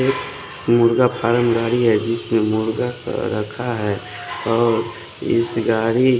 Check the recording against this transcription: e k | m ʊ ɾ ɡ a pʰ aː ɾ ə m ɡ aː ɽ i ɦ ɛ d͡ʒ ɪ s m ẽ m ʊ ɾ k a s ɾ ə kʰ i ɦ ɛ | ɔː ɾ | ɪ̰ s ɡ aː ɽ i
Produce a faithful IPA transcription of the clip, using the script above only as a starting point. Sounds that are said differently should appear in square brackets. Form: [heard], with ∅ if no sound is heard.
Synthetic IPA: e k | m ʊ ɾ ɡ a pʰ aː ɾ ə m ɡ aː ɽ i ɦ ɛ d͡ʒ ɪ s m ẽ m ʊ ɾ [ɡ] a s ɾ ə kʰ [a] ɦ ɛ | ɔː ɾ | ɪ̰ s ɡ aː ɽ i